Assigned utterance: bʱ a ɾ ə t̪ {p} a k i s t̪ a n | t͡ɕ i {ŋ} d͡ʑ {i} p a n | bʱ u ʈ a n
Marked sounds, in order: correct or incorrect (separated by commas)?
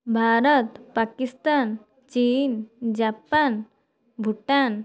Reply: correct, incorrect, incorrect